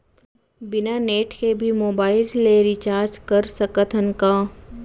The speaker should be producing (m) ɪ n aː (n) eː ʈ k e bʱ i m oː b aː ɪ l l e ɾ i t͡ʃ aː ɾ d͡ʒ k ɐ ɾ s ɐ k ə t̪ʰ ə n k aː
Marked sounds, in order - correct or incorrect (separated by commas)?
incorrect, correct